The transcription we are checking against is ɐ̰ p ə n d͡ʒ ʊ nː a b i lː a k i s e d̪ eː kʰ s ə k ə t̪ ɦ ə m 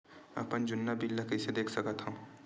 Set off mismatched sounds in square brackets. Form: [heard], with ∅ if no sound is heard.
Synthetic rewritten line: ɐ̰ p ə n d͡ʒ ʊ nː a b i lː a k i s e d̪ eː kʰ s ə k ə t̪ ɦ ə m